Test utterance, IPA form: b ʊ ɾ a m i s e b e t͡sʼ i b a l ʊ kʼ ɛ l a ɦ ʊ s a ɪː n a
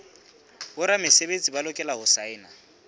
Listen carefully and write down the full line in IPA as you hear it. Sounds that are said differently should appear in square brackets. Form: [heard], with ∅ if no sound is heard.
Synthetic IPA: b ʊ ɾ a m [ɪ] s e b e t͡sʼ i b a l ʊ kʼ ɛ l a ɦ ʊ s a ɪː n a